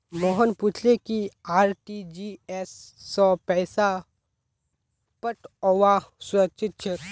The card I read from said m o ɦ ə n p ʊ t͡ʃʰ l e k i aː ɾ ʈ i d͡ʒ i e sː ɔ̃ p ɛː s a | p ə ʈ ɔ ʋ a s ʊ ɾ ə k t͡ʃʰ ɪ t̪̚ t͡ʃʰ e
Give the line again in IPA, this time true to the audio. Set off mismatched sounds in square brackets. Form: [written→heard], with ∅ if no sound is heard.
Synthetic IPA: m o ɦ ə n p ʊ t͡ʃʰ l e k i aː ɾ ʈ i d͡ʒ i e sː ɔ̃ p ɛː s a | p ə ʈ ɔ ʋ a s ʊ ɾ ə k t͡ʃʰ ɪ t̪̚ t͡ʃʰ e